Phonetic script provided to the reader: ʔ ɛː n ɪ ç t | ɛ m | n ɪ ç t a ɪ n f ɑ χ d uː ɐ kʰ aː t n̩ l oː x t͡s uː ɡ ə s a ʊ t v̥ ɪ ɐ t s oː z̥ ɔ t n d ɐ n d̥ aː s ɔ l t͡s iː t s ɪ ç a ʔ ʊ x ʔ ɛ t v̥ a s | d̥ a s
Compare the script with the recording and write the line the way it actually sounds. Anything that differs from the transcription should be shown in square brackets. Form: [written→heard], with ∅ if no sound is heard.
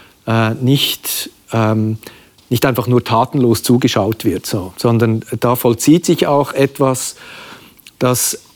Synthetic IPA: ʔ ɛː n ɪ ç t | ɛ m | n ɪ ç t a ɪ n f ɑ χ [d→n] uː ɐ [kʰ→tʰ] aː t n̩ l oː [x→s] t͡s uː ɡ ə [s→ʃ] a ʊ t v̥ ɪ ɐ t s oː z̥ ɔ [t→∅] n d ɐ n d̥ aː [s→f] ɔ l t͡s iː t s ɪ ç a [ʔ→∅] ʊ x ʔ ɛ t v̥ a s | d̥ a s